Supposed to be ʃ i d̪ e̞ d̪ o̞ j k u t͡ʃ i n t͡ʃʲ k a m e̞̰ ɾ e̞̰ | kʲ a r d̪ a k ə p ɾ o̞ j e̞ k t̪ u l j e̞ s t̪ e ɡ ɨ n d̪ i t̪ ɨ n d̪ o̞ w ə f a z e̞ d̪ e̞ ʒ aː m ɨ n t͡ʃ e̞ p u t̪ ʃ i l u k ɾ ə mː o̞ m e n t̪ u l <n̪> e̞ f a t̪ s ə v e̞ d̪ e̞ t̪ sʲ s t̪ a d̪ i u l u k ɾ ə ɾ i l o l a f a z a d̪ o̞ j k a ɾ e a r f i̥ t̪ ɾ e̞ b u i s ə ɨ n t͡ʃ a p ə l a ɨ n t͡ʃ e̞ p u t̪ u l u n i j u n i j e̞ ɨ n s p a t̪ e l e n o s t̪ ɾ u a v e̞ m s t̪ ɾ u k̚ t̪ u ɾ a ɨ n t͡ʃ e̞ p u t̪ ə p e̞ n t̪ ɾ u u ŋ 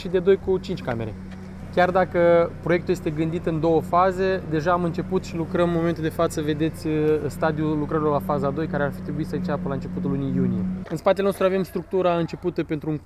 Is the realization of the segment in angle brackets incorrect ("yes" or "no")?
yes